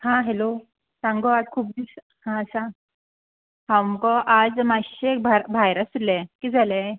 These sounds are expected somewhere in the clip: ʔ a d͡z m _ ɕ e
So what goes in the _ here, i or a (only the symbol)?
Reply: a